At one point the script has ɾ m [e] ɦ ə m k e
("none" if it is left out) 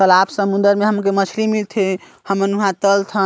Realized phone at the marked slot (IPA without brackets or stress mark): e